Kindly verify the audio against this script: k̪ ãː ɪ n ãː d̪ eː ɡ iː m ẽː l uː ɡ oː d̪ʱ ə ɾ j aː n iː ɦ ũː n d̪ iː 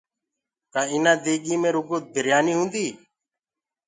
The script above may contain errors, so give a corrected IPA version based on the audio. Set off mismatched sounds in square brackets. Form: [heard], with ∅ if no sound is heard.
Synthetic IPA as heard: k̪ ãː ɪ n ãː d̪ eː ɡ iː m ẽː [ɾ] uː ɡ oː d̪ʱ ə ɾ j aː n iː ɦ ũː n d̪ iː